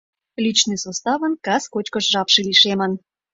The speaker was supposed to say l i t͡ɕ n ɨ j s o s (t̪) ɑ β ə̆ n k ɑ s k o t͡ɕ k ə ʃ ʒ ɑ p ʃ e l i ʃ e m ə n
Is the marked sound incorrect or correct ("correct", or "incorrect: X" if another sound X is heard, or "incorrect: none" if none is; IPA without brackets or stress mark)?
correct